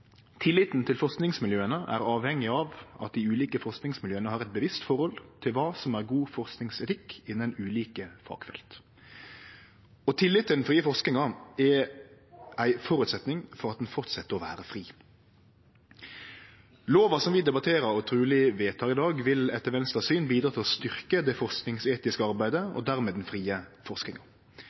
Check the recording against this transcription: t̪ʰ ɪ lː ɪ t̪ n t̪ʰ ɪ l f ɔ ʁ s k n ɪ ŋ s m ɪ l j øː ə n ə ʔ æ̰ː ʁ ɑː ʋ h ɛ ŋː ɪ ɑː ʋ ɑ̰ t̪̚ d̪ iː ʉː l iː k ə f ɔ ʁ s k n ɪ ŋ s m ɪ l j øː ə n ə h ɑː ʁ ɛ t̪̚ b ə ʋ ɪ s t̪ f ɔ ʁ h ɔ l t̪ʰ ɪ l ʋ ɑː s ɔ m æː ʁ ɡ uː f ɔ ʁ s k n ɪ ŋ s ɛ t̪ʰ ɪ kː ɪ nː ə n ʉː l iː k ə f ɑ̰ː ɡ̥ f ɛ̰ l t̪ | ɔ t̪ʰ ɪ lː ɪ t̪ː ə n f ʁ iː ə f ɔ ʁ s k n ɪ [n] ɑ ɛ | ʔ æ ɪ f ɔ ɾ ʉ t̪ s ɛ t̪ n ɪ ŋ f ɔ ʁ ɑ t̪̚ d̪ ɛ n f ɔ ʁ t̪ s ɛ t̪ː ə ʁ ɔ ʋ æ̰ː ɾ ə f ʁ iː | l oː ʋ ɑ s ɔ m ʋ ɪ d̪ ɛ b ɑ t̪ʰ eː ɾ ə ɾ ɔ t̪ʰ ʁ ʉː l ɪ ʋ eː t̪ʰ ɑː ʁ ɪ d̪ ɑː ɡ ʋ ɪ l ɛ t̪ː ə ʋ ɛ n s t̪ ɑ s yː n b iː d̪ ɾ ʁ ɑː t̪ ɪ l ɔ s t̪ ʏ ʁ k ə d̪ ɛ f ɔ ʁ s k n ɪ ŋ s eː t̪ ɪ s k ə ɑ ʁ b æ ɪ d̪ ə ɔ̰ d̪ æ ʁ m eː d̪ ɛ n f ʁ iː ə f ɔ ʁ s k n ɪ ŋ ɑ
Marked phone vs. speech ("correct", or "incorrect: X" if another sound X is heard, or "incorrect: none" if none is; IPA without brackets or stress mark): incorrect: ŋ